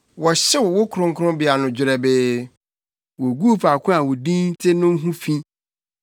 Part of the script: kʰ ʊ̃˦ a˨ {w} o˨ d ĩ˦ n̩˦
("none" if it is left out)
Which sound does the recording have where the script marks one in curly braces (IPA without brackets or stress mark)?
w